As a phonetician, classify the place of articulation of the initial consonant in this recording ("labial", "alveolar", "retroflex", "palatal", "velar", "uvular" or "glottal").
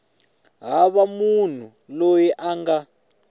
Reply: glottal